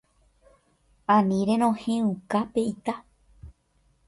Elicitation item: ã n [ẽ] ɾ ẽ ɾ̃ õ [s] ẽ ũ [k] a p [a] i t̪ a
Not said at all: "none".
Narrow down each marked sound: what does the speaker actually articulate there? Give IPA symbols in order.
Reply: ĩ, h, k, e

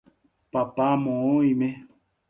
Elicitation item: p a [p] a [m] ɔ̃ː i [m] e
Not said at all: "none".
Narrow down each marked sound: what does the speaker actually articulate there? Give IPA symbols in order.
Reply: p, m, m

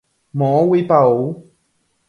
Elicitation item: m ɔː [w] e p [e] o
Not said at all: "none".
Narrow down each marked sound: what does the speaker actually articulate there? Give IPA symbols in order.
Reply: w, a

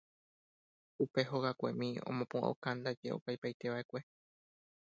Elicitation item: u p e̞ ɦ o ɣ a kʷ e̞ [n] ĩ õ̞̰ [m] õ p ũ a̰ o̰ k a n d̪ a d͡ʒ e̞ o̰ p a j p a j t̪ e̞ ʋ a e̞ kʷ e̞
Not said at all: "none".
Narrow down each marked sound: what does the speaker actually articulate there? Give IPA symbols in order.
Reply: m, m

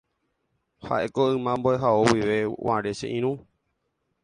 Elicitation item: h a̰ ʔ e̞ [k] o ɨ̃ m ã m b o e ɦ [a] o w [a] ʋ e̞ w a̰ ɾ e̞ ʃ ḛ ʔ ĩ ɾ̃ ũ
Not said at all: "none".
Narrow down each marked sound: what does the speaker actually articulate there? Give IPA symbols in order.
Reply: k, a, i

